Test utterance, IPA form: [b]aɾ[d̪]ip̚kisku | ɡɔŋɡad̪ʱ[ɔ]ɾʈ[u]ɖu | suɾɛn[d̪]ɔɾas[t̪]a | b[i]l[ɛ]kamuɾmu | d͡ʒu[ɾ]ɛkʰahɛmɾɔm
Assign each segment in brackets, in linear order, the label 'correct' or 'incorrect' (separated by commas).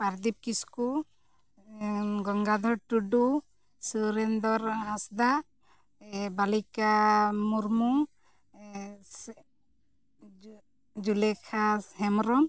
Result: incorrect, correct, correct, correct, correct, incorrect, incorrect, incorrect, incorrect